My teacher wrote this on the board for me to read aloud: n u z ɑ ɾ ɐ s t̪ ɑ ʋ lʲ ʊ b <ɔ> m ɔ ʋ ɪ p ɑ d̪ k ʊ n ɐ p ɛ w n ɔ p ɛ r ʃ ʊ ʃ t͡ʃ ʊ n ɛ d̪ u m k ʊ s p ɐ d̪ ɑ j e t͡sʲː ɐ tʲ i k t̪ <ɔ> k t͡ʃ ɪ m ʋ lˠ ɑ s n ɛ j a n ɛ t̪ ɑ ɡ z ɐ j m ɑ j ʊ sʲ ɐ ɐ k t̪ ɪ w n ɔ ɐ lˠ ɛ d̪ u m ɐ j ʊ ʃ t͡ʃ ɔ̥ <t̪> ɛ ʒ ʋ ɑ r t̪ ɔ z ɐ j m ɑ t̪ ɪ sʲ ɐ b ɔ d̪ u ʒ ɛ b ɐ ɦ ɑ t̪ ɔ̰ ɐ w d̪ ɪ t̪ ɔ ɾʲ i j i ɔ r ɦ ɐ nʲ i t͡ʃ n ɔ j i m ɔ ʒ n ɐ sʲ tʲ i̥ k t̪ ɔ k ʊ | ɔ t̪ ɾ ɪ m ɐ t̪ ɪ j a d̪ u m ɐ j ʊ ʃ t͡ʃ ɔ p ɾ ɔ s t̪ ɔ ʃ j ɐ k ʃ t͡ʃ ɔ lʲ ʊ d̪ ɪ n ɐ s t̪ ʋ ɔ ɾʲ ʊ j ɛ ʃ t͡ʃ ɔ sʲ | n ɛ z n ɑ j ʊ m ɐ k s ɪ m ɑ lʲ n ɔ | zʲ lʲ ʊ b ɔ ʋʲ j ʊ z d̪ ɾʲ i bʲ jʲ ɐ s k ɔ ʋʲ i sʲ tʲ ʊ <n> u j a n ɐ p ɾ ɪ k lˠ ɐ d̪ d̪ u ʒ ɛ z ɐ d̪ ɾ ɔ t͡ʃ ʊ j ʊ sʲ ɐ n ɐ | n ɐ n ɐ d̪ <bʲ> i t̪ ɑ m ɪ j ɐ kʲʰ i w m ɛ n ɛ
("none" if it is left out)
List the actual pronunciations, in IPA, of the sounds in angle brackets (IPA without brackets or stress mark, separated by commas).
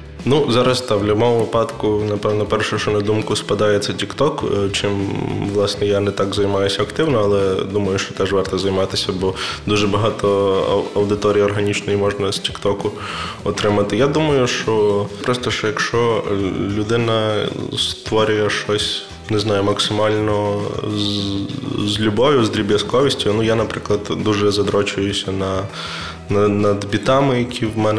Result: ɔ, ɔ, t̪, n, bʲ